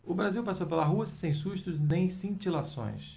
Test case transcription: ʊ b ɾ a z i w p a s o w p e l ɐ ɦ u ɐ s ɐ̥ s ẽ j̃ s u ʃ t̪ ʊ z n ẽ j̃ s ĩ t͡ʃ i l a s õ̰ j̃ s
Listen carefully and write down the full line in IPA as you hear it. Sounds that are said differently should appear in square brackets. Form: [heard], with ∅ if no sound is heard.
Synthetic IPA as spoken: ʊ b ɾ a z i w p a s o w p e l ɐ ɦ u ɐ s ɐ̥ s ẽ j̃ s u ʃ t̪ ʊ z n ẽ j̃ s ĩ t͡ʃ i l a s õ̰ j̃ s